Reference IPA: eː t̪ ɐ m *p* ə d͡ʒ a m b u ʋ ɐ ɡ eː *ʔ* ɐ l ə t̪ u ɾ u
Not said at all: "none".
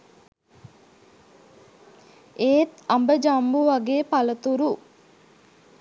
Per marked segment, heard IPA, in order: b, p

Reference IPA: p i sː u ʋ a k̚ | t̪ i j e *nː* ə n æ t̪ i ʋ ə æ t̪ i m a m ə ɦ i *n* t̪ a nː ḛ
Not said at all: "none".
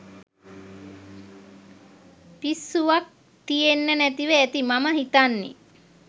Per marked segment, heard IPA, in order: nː, none

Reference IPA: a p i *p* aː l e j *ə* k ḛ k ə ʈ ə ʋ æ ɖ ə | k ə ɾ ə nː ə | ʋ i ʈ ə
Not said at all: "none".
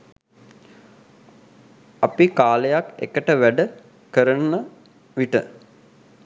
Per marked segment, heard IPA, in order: k, a

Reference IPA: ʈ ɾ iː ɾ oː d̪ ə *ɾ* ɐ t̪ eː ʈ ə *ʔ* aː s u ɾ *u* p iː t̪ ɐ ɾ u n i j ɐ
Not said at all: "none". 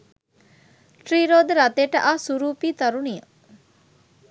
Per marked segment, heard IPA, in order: ɾ, ʔ, uː

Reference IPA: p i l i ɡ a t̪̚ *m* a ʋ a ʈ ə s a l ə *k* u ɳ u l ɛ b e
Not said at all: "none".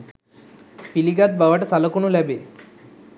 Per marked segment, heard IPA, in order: b, k

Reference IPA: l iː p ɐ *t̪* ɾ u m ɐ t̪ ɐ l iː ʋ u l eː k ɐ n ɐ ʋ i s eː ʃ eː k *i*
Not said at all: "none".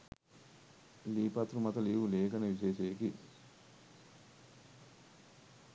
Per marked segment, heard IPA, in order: t̪, i

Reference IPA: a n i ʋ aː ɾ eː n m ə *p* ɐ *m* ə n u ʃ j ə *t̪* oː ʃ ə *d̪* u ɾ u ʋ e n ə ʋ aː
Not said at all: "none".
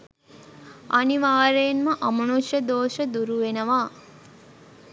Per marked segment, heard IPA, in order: ʔ, m, d̪, d̪

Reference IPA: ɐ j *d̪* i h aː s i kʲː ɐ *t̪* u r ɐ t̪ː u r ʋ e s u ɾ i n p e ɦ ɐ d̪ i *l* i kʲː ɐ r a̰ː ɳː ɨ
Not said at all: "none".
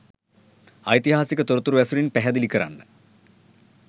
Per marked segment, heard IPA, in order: t̪, t̪, l

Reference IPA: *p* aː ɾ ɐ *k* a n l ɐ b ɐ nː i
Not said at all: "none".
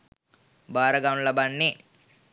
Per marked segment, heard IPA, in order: b, ɡ

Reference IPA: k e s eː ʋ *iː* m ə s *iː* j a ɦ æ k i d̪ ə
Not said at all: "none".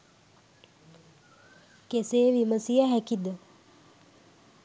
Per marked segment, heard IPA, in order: i, i

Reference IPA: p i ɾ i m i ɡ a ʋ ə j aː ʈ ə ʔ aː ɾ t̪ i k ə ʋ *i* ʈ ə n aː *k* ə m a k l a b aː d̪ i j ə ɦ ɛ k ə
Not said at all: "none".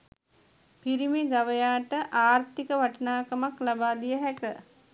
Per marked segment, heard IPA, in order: a, k

